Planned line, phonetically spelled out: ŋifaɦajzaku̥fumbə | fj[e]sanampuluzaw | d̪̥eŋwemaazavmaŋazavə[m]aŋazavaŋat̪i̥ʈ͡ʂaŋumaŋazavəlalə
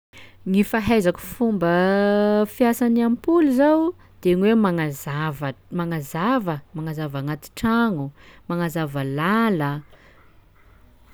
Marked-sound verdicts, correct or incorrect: incorrect, correct

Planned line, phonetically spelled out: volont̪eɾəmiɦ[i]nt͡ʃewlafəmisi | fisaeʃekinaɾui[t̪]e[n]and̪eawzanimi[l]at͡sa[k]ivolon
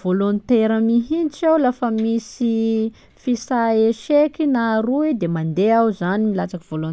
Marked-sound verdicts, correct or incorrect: correct, incorrect, incorrect, correct, correct

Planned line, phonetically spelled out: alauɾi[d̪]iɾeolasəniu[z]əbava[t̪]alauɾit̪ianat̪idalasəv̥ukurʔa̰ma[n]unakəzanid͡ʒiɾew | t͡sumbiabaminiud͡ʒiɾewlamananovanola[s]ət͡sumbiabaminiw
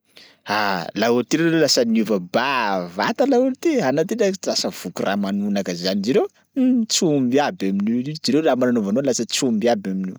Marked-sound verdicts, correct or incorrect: incorrect, incorrect, correct, correct, correct

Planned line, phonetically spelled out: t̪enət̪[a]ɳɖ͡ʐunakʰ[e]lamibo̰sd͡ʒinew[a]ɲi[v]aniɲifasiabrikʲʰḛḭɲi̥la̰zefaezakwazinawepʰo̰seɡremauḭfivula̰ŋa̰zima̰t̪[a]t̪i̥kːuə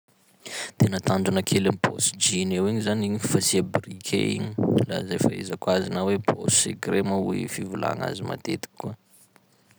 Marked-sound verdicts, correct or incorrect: correct, correct, incorrect, incorrect, incorrect

